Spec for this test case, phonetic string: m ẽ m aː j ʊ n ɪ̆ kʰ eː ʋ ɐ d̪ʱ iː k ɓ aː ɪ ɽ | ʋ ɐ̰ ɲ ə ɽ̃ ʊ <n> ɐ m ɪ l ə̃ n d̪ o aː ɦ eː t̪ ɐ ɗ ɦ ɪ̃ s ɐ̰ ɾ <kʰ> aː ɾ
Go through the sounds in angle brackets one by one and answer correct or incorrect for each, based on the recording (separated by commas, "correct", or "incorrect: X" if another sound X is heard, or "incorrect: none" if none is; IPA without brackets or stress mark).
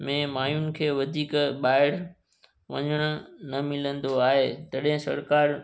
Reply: correct, incorrect: k